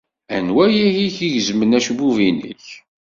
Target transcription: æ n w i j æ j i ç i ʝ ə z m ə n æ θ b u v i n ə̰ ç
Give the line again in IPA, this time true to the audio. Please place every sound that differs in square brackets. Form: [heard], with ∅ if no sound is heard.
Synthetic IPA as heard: æ n w [æ] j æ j i ç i ʝ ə z m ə n æ [ʃ] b u v i n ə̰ ç